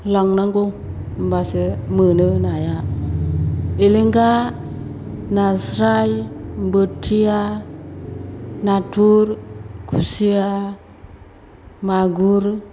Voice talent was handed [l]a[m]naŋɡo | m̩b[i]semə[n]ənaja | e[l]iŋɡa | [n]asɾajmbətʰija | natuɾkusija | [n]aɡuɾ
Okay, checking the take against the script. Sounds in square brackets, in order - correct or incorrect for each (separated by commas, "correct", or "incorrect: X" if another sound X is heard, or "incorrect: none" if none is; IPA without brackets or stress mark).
correct, incorrect: ŋ, incorrect: a, correct, correct, correct, incorrect: m